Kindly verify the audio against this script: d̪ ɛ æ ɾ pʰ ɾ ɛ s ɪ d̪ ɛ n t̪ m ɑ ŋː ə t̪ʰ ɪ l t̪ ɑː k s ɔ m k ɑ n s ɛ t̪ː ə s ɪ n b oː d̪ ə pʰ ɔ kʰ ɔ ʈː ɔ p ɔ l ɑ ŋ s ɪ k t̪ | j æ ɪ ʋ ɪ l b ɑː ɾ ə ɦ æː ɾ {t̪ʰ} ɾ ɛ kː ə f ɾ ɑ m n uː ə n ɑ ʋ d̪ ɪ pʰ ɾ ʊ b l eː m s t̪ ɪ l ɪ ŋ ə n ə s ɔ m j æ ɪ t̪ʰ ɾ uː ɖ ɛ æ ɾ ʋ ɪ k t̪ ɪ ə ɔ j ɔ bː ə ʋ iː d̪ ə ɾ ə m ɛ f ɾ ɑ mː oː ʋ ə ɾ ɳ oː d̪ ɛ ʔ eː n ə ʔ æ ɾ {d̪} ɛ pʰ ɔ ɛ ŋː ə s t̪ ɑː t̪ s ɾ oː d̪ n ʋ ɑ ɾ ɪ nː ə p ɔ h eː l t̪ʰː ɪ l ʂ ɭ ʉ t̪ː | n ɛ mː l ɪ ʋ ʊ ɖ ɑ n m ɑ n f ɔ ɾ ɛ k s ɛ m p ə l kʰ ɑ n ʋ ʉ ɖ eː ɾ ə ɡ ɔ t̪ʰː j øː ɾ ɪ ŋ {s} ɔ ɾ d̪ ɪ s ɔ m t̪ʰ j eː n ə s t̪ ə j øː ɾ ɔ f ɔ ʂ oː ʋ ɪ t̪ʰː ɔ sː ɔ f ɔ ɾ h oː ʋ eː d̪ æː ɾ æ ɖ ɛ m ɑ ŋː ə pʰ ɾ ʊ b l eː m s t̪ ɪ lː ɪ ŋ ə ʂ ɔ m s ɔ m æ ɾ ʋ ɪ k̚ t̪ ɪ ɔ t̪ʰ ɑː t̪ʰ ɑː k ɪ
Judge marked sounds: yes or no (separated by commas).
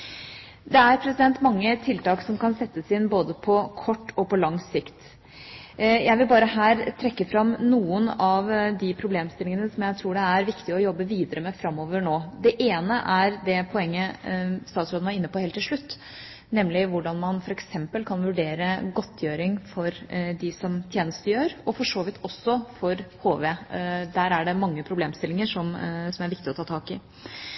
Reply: yes, yes, no